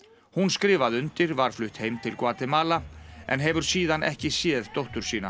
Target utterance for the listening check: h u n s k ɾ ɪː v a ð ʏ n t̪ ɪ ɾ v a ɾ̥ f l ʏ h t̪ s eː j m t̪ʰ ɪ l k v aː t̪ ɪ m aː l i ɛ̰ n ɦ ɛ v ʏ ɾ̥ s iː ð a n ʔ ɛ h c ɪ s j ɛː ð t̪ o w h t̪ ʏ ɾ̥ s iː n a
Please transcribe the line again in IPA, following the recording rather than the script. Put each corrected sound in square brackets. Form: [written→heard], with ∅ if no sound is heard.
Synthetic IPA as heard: h u n s k ɾ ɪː v a ð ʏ n t̪ ɪ ɾ v a ɾ̥ f l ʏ h t̪ [s→h] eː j m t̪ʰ ɪ l k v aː t̪ ɪ m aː l [i→a] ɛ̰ n ɦ ɛ v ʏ ɾ̥ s iː ð a n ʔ ɛ h c ɪ s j ɛː ð t̪ o w h t̪ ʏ ɾ̥ s iː n a

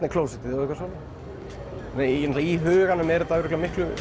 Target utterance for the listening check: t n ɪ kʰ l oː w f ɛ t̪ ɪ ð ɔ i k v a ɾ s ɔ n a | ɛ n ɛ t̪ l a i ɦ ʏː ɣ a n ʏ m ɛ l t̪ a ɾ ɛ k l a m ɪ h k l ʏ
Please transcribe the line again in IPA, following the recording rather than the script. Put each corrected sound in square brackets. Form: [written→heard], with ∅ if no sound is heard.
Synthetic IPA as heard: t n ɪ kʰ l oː w [f→s] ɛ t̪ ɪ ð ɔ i k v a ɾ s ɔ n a | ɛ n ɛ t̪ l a i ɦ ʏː ɣ a n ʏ m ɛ [l→ɾ] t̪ a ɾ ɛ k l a m ɪ h k l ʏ

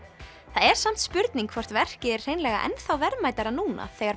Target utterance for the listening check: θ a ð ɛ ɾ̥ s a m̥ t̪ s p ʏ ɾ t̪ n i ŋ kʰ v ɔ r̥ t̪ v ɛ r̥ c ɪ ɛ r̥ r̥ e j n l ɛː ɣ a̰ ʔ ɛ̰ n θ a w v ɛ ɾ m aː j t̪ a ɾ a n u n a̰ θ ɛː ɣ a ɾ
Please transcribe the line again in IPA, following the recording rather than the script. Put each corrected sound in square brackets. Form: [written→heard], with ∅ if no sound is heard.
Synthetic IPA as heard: θ a ð ɛ ɾ̥ s a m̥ t̪ s p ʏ ɾ t̪ n i ŋ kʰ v ɔ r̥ t̪ v ɛ r̥ c ɪ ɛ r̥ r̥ e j n l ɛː ɣ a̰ ʔ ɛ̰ n θ a w v ɛ ɾ m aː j t̪ a ɾ a n [u→uː] n a̰ θ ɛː ɣ a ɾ

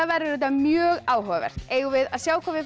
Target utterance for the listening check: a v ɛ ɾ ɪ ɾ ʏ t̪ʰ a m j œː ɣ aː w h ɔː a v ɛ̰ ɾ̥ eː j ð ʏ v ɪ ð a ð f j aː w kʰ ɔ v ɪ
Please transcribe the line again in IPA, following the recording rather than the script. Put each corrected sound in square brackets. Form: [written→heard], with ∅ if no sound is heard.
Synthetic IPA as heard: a v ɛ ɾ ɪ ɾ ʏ [t̪ʰ→t̪] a m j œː ɣ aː w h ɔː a v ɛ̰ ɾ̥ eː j [ð→ɣ] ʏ v ɪ ð a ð [f→s] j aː w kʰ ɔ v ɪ

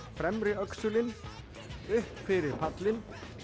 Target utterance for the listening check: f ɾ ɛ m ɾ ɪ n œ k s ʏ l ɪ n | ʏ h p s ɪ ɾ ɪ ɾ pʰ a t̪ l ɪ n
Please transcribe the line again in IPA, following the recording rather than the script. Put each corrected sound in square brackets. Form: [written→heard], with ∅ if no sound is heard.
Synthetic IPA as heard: f ɾ ɛ m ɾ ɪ [n→∅] œ k s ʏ l ɪ n | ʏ h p [s→f] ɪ ɾ ɪ ɾ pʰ a t̪ l ɪ n

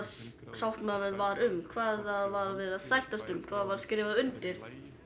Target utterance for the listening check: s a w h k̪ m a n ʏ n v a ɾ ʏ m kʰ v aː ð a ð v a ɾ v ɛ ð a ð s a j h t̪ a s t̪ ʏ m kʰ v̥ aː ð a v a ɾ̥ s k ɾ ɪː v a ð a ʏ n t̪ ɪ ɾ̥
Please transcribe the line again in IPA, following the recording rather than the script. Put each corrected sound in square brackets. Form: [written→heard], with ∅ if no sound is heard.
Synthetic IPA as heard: s a w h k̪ m a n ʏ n v a ɾ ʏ m kʰ v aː ð a ð v a ɾ v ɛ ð a ð s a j h t̪ a s t̪ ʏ m kʰ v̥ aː ð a v a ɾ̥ s k ɾ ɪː v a ð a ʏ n t̪ ɪ ɾ̥

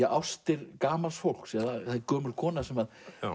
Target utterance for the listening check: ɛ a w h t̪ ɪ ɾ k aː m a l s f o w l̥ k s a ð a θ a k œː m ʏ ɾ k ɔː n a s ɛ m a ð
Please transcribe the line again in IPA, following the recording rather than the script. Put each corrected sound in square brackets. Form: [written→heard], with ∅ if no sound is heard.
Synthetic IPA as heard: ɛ a w [h→s] t̪ ɪ ɾ k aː m a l s f o w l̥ k s [a→ɛ] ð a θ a k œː m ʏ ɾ [k→kʰ] ɔː n a s ɛ m a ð

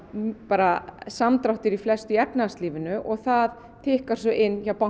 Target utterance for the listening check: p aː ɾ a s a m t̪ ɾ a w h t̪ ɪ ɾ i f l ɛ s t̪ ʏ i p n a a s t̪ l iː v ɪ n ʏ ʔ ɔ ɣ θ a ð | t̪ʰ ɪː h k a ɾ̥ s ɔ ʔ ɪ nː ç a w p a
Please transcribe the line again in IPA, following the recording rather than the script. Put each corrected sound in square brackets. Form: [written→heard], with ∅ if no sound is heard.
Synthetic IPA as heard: p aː ɾ a s a m t̪ ɾ a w h t̪ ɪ ɾ i f l ɛ s t̪ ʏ [i→ɛ] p n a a s t̪ l iː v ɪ n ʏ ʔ ɔ ɣ θ a ð | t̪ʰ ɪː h k a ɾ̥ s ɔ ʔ ɪ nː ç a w p a

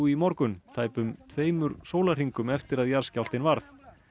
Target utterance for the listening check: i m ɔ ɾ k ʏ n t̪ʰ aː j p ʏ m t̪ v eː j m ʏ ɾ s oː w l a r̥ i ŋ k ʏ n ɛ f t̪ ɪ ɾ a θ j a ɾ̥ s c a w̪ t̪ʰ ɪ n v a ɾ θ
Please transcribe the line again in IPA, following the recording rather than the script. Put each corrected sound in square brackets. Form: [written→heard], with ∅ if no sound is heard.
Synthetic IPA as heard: i m ɔ ɾ k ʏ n t̪ʰ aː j p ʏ m [t̪→t̪ʰ] v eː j m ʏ ɾ s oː w l a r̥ i ŋ k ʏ [n→m] ɛ f t̪ ɪ ɾ a [θ→ð] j a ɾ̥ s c a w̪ [t̪ʰ→t̪] ɪ n v a ɾ θ

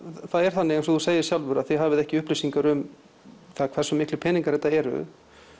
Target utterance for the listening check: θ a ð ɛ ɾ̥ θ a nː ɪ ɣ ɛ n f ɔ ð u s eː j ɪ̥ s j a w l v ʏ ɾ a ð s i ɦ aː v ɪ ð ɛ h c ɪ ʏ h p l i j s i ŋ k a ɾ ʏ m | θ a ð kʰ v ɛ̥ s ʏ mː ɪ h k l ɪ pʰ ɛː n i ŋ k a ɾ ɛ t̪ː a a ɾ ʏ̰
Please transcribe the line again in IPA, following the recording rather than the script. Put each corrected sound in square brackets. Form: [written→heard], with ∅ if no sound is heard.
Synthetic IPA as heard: θ a ð ɛ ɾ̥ θ a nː ɪ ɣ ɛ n [f→s] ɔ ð u s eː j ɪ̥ s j a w l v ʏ ɾ a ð [s→θ] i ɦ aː v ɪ ð ɛ h c ɪ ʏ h p l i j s i ŋ k a ɾ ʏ m | θ a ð kʰ v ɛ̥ s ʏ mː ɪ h k l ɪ pʰ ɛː n i ŋ k a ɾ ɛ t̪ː a [a→ɛ] ɾ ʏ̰

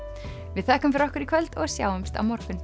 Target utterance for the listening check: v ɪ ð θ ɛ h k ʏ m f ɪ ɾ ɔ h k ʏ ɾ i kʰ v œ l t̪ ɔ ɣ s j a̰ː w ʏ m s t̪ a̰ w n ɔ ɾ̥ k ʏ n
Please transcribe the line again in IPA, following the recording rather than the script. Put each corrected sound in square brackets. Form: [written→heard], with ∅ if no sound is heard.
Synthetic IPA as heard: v ɪ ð θ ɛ h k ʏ m f ɪ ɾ ɔ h k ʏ ɾ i kʰ v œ l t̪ ɔ ɣ s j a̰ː w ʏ m s t̪ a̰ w [n→m] ɔ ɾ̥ k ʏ n

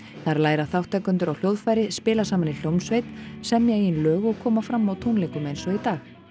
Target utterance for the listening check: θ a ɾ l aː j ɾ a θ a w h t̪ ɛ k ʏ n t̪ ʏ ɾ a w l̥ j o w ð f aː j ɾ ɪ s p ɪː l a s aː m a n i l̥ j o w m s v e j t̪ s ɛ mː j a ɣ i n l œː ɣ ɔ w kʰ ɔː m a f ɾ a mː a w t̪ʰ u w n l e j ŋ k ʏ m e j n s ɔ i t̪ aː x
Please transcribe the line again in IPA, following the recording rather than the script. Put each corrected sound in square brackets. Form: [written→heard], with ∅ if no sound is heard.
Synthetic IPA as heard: θ a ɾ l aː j ɾ a θ a w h t̪ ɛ k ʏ n t̪ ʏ ɾ a w l̥ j o w ð f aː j ɾ ɪ s p ɪː l a s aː m a n i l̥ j o w m s v e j t̪ s ɛ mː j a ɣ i n l œː ɣ ɔ [w→ɣ] kʰ ɔː m a f ɾ a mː a w t̪ʰ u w n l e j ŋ k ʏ m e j n s ɔ i t̪ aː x

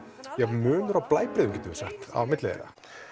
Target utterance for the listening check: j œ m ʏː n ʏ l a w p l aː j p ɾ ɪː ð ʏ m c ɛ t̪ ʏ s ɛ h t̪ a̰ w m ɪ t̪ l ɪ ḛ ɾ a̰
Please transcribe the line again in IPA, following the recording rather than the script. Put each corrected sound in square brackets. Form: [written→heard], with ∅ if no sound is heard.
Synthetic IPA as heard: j [œ→ɛ] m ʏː n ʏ [l→ɾ] a w p l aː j p ɾ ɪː ð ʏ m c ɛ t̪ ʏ s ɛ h t̪ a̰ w m ɪ t̪ l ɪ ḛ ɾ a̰

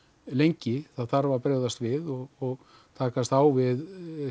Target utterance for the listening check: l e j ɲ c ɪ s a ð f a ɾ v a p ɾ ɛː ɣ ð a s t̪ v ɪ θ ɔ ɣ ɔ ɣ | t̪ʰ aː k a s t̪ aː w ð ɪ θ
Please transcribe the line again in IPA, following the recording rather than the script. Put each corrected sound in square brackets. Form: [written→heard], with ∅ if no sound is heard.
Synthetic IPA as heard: l e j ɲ c ɪ [s→θ] a ð [f→θ] a ɾ v a p ɾ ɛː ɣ ð a s t̪ v ɪ [θ→ð] ɔ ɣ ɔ ɣ | t̪ʰ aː k a s t̪ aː w [ð→v] ɪ [θ→ð]

